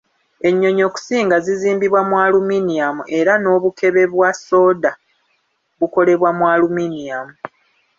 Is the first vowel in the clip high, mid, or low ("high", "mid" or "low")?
mid